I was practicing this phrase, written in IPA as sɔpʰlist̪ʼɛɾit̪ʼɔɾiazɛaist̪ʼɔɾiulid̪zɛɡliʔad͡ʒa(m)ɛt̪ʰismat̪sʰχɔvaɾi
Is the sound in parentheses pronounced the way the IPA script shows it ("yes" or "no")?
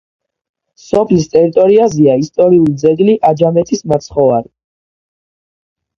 yes